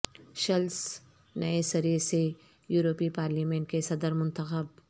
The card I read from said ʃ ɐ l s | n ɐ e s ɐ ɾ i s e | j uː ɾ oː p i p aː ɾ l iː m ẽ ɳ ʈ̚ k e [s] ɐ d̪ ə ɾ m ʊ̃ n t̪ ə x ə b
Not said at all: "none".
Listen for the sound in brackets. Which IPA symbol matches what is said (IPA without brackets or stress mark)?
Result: s